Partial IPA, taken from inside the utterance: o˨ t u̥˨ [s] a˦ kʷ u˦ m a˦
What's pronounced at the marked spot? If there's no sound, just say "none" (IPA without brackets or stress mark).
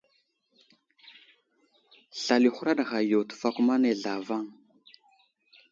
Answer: f